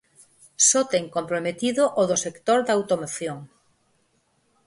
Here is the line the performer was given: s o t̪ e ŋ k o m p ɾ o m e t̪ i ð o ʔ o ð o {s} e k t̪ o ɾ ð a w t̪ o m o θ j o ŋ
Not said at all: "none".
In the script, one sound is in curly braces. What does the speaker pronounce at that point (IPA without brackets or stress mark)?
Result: s